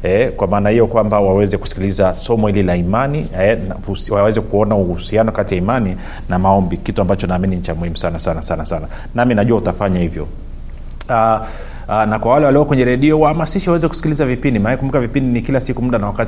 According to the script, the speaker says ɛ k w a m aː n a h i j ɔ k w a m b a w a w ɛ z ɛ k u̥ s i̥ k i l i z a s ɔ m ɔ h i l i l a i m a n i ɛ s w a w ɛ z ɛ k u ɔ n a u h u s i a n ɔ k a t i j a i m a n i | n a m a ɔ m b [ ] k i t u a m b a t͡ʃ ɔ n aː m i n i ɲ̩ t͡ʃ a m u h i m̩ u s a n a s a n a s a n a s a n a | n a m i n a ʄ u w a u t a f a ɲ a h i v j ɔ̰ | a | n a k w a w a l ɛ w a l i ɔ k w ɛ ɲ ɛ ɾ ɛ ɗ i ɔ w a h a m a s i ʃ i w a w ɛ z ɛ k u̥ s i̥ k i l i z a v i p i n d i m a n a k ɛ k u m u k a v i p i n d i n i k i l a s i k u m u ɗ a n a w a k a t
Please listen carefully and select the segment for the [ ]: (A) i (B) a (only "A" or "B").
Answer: A